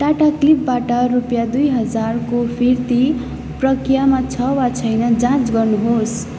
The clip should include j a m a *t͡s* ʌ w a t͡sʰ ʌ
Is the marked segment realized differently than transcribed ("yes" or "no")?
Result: yes